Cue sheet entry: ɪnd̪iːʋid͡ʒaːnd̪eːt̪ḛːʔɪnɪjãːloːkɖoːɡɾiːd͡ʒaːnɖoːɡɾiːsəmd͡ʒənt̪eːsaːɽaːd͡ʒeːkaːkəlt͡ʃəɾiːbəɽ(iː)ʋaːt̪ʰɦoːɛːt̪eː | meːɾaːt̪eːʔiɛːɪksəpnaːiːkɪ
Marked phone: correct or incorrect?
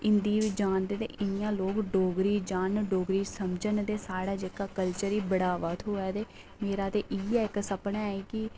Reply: incorrect